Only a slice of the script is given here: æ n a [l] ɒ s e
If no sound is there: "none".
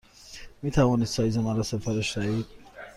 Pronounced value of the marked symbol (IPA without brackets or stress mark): ɾ